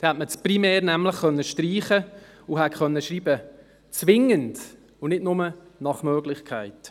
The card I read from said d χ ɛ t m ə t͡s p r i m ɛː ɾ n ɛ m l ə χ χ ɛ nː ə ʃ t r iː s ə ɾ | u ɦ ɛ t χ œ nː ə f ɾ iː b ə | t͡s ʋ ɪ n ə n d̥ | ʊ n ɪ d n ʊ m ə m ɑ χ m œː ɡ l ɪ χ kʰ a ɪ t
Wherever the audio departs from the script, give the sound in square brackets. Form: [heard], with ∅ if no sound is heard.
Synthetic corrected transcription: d [h] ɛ t m ə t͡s p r i m ɛː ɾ n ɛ m l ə χ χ [œ] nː ə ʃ t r iː [χ] ə [∅] | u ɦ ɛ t χ œ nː ə [ʃ] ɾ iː b ə | t͡s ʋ ɪ [ŋ] ə n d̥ | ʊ n ɪ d n ʊ m ə [n] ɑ χ m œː ɡ l ɪ χ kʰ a ɪ t